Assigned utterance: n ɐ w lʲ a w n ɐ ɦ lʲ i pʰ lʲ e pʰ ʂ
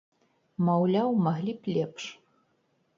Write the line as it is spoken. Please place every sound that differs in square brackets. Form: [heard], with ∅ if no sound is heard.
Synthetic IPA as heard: [m] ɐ w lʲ a w [m] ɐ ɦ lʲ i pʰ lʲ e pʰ ʂ